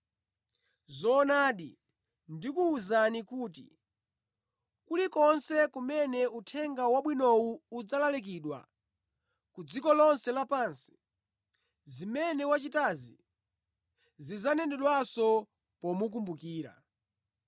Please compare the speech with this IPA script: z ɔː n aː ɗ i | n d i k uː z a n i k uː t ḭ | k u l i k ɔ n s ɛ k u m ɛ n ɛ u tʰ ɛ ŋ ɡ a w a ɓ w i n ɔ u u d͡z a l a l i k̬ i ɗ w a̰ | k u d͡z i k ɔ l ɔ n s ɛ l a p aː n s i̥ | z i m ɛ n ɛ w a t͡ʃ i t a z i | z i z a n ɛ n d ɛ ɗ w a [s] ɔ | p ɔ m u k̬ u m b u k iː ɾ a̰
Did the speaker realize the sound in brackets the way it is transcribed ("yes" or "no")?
yes